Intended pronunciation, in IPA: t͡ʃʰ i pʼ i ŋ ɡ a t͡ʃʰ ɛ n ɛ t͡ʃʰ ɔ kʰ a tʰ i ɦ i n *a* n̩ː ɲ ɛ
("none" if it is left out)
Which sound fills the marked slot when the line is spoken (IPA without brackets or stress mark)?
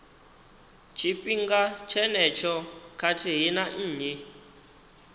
a